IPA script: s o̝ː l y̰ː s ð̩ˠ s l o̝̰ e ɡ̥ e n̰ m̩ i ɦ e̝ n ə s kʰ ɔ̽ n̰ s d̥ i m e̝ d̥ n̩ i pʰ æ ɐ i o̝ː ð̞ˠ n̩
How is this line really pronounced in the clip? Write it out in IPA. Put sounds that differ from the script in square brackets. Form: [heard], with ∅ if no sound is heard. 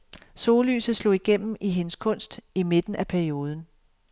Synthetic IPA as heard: s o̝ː l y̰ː s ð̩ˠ s l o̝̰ [i] ɡ̥ e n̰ m̩ i ɦ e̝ n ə s kʰ ɔ̽ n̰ s d̥ i m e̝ d̥ n̩ [æ] pʰ æ ɐ i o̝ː ð̞ˠ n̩